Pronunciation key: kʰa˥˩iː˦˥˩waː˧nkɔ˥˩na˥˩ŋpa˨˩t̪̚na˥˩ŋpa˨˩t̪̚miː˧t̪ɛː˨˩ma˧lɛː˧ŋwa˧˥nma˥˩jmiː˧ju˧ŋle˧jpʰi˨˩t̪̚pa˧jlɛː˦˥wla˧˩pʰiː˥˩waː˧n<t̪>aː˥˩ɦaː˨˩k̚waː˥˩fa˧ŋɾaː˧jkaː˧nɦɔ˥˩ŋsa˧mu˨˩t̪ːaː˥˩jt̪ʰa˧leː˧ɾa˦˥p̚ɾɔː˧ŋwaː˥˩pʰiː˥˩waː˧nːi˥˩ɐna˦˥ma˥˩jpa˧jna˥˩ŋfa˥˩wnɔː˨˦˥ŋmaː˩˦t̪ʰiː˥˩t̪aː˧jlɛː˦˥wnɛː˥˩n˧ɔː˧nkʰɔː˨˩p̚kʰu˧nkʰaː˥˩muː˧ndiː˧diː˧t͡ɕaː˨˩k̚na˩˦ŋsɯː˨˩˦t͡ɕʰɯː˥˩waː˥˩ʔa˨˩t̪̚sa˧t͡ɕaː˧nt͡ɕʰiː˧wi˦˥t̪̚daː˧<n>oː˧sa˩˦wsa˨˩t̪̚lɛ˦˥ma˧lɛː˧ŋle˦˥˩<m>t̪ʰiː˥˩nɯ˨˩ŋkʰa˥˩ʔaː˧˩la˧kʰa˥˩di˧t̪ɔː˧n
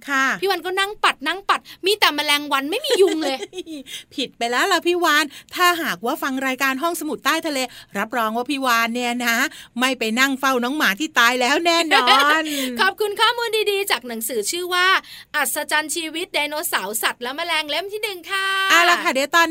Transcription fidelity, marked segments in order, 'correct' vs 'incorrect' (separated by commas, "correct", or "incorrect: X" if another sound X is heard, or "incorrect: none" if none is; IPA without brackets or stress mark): incorrect: t̪ʰ, correct, correct